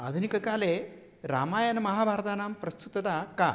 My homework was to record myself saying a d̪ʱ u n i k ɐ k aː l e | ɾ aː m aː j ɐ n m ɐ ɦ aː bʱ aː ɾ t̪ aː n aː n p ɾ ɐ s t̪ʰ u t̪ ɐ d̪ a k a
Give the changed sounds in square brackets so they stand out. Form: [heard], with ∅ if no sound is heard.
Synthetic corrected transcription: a d̪ʱ u n i k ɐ k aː l e | ɾ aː m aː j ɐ n m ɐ ɦ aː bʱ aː ɾ t̪ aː n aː [m] p ɾ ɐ s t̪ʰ u t̪ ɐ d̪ a k a